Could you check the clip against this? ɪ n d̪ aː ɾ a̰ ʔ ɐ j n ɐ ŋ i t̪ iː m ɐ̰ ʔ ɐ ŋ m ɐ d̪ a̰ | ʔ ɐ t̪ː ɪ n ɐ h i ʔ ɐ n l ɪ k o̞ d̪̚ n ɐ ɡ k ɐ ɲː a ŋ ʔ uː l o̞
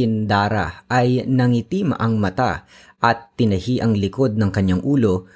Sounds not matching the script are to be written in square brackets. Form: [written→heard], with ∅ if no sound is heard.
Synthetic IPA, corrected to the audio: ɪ n d̪ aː ɾ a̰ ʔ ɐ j n ɐ ŋ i t̪ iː m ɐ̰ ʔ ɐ ŋ m ɐ [d̪→t̪] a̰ | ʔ ɐ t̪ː ɪ n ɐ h i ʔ ɐ [n→ŋ] l ɪ k o̞ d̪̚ n ɐ [ɡ→ŋ] k ɐ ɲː a ŋ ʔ uː l o̞